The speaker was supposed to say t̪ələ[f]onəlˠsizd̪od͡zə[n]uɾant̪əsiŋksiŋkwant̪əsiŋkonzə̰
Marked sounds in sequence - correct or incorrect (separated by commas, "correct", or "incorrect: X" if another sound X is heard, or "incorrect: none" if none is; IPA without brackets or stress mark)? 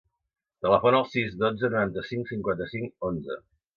correct, correct